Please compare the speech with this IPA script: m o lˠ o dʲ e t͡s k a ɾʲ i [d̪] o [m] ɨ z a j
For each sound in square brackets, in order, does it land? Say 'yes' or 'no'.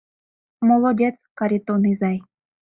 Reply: no, no

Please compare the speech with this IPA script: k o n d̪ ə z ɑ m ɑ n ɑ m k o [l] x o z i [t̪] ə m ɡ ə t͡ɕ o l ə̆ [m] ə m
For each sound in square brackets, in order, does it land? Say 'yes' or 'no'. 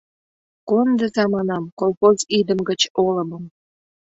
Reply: yes, no, yes

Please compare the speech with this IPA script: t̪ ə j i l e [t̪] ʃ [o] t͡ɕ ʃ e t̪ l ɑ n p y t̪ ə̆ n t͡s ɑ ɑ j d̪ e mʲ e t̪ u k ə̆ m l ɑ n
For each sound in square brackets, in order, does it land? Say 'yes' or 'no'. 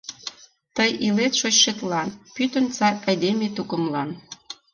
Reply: yes, yes

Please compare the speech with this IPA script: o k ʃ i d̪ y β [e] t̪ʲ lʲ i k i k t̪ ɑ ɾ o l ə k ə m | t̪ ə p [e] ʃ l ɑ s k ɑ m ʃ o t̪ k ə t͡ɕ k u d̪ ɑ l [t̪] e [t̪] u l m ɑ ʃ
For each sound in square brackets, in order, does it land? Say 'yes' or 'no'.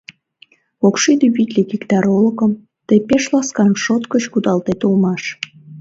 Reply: no, yes, yes, yes

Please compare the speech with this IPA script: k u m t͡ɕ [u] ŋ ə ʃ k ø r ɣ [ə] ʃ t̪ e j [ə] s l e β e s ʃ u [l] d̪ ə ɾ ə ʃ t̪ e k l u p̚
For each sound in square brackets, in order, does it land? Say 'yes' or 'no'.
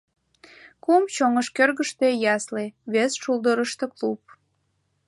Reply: no, yes, no, yes

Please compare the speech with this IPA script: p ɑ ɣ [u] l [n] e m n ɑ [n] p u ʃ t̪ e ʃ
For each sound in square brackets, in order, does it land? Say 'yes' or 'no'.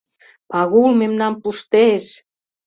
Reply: yes, no, no

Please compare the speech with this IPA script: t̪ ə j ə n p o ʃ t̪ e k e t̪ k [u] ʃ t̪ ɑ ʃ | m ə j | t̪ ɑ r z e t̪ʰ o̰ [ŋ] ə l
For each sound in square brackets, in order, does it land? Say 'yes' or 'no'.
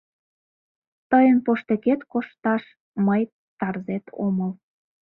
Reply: no, no

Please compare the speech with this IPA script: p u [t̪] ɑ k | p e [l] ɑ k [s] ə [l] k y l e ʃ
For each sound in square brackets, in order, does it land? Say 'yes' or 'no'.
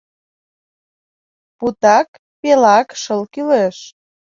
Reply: yes, yes, no, yes

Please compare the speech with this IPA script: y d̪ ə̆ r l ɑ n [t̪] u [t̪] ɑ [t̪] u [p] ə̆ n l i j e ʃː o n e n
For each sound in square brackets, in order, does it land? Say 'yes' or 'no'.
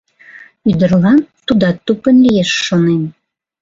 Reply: yes, no, yes, yes

